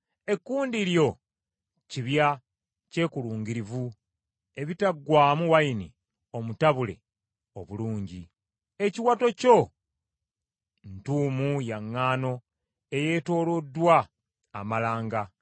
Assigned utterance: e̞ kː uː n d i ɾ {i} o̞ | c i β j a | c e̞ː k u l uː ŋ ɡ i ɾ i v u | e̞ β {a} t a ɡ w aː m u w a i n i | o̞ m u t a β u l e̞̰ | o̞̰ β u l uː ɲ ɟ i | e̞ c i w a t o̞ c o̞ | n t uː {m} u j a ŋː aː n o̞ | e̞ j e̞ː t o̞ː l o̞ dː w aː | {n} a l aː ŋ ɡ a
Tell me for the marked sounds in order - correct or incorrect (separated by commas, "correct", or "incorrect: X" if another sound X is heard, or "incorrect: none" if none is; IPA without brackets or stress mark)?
incorrect: j, incorrect: i, correct, incorrect: m